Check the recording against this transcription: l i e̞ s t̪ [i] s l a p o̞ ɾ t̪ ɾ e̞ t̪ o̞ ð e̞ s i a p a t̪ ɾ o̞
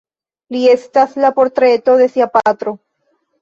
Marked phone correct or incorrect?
incorrect